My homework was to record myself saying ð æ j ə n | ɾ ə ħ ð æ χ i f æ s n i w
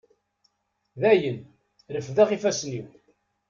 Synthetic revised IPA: ð æ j ə n | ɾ ə f ð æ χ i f æ s n i w